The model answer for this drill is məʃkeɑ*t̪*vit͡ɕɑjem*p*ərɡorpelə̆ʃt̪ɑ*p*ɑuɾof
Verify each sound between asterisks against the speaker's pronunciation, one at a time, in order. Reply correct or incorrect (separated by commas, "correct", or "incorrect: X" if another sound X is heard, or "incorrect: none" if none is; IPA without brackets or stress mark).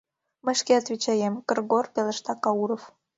correct, incorrect: k, incorrect: k